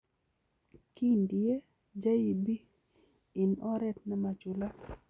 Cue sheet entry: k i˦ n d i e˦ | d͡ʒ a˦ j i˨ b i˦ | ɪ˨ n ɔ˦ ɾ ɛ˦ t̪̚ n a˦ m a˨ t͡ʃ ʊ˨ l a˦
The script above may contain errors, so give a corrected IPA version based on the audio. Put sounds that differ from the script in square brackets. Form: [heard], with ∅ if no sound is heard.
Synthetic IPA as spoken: k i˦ n d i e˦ | d͡ʒ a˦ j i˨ b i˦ | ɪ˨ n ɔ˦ ɾ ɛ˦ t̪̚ n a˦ m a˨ t͡ʃ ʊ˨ l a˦